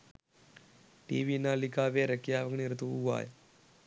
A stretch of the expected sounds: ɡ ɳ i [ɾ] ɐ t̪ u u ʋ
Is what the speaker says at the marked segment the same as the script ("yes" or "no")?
yes